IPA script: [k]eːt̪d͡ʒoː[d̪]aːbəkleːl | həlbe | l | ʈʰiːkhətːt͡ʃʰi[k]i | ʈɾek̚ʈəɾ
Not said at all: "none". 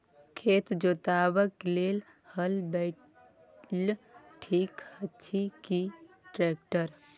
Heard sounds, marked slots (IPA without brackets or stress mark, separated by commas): kʰ, t̪, k